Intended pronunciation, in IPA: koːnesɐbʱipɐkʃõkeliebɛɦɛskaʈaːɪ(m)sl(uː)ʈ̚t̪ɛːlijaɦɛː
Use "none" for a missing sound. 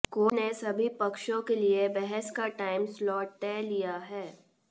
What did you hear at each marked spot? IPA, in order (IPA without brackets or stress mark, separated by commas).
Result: m, ɔː